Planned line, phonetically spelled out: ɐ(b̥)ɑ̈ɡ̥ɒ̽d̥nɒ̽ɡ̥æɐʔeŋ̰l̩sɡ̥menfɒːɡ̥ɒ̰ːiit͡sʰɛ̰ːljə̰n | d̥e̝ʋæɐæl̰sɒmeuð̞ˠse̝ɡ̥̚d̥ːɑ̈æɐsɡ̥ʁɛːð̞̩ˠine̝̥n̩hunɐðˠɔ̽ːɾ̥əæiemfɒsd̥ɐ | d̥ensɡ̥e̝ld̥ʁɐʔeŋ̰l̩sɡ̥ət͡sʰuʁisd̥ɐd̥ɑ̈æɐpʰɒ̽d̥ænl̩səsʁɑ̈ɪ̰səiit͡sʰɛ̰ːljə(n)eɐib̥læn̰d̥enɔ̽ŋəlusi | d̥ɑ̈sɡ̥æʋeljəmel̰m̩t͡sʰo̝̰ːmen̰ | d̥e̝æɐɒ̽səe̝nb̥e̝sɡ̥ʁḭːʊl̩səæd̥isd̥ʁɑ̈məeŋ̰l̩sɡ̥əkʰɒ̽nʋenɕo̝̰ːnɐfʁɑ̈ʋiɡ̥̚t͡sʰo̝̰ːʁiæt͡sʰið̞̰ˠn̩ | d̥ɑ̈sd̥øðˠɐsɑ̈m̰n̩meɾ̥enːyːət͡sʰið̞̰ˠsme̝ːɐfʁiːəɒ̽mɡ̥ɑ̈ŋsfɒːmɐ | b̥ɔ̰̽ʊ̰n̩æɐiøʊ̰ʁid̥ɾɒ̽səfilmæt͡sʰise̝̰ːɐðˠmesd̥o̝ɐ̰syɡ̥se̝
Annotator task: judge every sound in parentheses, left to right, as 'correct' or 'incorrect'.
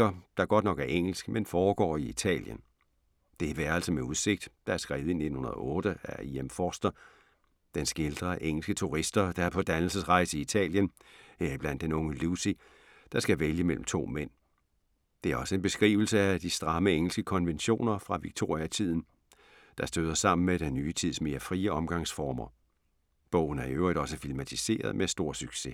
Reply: incorrect: d̥, correct

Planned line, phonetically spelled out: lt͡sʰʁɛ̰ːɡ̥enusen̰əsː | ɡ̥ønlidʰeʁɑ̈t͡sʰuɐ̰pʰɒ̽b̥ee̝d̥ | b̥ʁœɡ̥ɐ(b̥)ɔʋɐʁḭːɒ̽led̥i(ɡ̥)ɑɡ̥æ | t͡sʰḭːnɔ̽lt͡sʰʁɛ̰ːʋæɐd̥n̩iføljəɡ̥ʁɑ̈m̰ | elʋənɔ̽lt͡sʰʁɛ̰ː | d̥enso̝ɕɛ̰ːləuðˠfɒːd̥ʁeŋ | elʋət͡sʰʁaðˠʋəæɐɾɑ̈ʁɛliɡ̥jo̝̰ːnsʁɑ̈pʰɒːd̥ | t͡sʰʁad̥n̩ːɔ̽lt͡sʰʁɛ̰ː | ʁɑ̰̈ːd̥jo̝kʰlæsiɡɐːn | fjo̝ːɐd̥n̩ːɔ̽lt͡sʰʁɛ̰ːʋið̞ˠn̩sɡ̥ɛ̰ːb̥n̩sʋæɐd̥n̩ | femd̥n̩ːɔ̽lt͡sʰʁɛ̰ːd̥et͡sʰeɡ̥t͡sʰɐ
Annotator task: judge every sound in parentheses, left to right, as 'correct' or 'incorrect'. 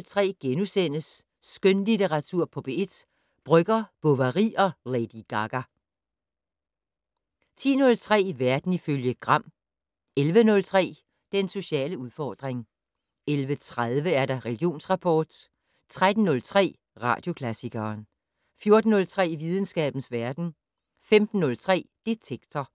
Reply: correct, correct

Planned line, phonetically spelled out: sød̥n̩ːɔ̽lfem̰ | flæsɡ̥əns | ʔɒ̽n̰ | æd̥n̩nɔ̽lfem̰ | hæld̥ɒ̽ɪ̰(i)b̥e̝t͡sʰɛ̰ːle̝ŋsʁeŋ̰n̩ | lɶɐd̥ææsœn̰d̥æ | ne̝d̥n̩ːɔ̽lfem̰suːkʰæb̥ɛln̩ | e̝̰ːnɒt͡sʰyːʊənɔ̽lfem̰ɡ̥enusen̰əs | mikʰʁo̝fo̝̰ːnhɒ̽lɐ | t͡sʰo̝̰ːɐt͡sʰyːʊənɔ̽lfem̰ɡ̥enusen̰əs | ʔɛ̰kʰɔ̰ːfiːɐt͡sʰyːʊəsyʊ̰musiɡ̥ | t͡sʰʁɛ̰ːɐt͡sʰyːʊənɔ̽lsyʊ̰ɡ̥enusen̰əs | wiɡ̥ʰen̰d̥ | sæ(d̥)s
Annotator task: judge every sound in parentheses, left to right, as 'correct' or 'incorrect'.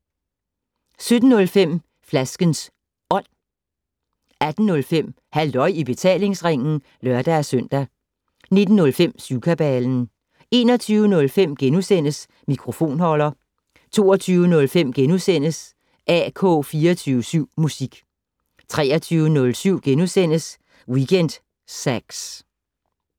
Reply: correct, incorrect: ɡ̥

